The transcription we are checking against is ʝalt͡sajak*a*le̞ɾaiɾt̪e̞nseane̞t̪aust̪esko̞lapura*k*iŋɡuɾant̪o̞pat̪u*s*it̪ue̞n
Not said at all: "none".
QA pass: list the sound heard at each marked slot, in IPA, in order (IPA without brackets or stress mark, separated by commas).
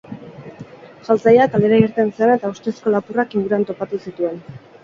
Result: a, k, s